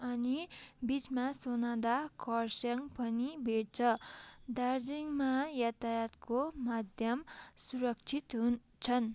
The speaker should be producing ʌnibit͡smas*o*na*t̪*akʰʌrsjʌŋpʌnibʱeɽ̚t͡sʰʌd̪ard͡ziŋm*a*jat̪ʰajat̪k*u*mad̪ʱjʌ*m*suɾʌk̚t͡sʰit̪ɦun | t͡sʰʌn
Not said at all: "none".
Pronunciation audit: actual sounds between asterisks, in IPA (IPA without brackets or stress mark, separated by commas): o, d̪, a, o, m